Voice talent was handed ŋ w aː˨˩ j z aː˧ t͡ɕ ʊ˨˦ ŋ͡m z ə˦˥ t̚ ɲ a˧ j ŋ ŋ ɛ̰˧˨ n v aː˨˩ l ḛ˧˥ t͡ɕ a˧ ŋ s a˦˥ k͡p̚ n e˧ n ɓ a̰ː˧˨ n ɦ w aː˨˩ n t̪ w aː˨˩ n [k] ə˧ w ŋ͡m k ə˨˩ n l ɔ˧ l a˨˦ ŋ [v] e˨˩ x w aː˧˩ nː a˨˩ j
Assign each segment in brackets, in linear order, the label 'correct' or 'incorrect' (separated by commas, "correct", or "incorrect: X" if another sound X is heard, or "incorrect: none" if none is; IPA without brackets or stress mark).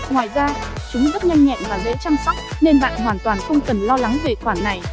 incorrect: x, correct